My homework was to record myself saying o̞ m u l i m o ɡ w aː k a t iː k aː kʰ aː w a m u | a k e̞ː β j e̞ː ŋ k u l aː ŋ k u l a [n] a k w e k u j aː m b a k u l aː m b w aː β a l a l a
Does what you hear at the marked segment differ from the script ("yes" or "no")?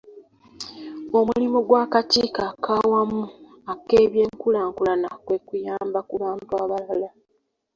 no